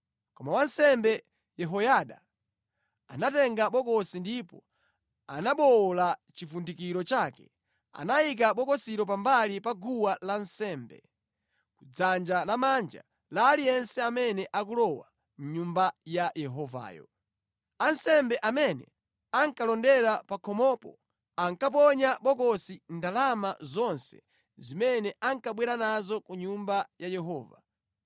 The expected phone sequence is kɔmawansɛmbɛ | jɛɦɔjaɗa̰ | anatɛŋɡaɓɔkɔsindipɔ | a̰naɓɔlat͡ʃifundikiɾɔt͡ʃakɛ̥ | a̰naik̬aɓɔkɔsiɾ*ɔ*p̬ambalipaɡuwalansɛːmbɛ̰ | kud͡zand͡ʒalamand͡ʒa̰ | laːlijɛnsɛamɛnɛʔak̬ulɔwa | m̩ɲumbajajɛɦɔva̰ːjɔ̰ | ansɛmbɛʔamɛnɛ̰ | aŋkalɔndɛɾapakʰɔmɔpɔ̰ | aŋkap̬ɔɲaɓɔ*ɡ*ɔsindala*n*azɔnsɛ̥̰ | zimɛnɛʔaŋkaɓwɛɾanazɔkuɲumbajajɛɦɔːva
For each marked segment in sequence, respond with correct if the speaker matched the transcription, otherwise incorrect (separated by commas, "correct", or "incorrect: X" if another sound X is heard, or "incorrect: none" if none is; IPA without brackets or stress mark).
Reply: correct, incorrect: k, incorrect: m